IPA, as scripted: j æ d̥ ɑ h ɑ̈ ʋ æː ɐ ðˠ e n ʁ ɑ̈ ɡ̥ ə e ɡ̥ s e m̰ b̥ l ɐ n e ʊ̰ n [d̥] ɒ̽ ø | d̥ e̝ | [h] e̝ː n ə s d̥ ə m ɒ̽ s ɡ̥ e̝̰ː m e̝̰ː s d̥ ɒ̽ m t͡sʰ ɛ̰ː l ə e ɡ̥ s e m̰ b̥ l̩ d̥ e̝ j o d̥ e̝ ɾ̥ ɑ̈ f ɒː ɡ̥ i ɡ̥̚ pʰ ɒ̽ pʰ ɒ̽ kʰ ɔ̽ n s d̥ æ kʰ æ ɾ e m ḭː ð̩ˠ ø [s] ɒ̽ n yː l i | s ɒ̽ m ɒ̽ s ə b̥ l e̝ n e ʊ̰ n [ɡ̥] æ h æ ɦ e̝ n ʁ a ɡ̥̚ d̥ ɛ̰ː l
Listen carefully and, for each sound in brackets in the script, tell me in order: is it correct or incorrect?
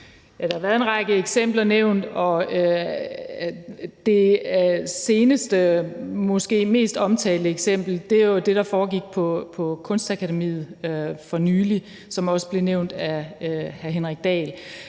correct, incorrect: s, incorrect: f, incorrect: d̥

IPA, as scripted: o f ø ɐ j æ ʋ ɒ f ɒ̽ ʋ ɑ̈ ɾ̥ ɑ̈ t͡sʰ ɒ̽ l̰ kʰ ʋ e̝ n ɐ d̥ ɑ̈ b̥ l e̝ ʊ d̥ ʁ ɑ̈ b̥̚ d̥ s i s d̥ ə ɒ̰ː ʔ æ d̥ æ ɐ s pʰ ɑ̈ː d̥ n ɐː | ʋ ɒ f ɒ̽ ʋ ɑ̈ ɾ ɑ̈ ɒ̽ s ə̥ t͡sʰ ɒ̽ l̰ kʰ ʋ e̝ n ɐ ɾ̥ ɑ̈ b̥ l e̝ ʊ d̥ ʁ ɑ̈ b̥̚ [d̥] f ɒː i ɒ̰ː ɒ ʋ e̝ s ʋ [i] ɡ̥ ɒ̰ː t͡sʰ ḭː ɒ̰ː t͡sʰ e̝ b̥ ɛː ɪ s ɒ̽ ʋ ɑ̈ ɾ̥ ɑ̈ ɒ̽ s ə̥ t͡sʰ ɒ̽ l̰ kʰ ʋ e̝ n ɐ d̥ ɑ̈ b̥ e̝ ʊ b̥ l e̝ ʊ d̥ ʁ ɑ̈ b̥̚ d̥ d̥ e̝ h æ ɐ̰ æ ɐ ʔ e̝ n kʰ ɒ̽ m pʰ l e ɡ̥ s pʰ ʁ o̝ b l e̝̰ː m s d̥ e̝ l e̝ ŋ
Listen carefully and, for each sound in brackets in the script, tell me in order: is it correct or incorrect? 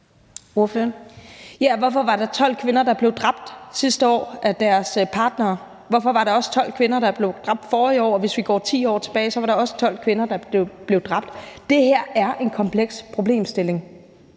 correct, correct

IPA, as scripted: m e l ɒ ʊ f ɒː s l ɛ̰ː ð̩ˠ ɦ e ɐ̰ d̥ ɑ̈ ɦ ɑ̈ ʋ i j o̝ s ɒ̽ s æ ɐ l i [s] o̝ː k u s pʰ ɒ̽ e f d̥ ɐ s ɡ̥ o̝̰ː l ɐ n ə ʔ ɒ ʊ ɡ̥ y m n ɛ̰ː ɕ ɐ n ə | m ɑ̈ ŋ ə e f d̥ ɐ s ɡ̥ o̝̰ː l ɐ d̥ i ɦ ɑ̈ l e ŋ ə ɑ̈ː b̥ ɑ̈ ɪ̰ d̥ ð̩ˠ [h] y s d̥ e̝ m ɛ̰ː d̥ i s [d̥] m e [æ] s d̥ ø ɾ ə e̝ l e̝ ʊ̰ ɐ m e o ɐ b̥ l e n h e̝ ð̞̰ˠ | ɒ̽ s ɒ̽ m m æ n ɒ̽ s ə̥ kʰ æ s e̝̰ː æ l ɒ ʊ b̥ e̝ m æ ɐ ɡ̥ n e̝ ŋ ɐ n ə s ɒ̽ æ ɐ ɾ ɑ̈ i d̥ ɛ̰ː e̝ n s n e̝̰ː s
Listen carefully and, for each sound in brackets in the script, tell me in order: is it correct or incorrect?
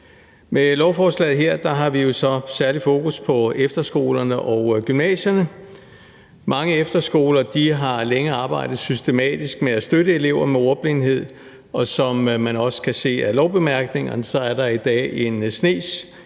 incorrect: f, incorrect: s, incorrect: ɡ̥, correct

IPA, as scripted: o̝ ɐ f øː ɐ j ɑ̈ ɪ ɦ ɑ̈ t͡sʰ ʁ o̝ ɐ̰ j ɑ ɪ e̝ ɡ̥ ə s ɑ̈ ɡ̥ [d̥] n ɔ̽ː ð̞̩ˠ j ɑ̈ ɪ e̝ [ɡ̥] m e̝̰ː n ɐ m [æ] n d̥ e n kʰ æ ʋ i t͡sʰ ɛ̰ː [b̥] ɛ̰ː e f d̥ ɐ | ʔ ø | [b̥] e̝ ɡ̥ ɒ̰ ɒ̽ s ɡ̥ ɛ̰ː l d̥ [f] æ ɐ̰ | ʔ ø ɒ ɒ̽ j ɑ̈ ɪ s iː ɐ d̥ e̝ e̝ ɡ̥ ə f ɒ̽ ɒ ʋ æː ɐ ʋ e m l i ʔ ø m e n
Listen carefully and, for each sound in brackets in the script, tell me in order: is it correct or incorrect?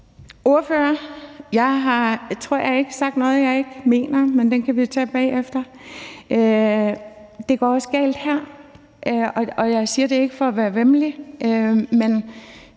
correct, correct, incorrect: e, correct, incorrect: d̥, incorrect: h

